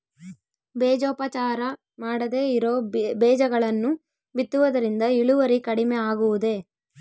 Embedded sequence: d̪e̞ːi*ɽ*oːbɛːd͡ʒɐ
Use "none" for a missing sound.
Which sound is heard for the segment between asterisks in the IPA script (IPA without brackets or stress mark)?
ɾ